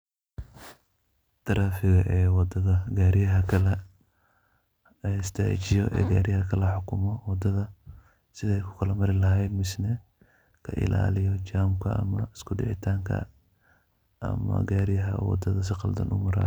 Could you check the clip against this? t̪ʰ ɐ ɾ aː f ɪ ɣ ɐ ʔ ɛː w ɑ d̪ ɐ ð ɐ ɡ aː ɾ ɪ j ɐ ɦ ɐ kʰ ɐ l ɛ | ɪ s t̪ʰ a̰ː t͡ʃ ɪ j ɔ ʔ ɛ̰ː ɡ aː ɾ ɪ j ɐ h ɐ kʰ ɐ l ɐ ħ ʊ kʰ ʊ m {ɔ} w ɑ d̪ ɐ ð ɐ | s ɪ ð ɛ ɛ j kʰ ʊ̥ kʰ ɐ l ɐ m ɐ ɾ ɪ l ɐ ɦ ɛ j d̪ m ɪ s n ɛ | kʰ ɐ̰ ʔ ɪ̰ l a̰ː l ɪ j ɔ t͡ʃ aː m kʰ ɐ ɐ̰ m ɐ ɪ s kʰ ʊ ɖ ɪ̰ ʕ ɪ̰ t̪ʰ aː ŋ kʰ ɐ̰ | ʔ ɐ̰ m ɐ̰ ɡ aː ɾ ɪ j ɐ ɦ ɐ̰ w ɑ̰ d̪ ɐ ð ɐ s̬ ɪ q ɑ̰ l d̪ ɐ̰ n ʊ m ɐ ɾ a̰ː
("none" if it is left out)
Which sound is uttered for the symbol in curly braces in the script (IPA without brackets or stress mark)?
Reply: ɔ